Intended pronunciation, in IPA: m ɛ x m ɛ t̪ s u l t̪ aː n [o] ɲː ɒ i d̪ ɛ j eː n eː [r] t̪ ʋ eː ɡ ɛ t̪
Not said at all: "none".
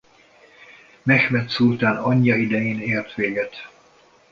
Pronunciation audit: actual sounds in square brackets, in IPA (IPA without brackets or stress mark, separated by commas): ɒ, r